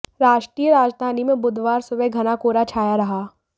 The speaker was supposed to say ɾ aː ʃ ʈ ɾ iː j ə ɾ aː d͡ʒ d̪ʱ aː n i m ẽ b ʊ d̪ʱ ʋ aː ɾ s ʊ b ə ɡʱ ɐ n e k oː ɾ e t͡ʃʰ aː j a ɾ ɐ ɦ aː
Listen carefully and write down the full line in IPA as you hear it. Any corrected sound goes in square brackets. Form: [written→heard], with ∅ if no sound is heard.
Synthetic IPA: ɾ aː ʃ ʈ ɾ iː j ə ɾ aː d͡ʒ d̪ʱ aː n i m ẽ b ʊ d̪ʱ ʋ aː ɾ s ʊ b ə ɡʱ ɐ n [e→a] k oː ɾ [e→a] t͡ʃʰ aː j a ɾ ɐ ɦ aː